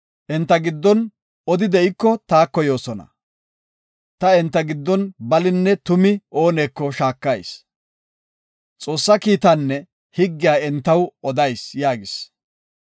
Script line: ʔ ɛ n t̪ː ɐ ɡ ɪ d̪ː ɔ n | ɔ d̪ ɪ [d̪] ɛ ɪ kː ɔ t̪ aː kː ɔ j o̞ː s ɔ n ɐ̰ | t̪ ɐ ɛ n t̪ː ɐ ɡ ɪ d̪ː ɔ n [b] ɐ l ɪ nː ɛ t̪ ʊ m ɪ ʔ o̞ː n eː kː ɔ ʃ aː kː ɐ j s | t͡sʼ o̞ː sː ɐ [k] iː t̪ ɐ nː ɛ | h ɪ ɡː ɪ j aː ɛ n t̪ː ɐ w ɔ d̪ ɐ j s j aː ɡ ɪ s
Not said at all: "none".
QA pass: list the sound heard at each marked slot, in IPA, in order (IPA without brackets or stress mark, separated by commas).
d̪, b, k